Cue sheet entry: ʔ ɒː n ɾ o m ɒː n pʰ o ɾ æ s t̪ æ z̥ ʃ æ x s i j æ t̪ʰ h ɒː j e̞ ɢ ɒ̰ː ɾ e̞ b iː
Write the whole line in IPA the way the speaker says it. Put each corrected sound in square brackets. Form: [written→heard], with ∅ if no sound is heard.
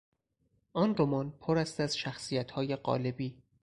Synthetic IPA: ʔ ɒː n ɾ o m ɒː n pʰ o ɾ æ s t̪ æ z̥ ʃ æ x s i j æ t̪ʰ h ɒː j e̞ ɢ ɒ̰ː [ɾ→l] e̞ b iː